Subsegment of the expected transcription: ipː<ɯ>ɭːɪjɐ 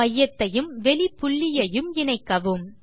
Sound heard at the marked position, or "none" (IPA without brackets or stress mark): ʊ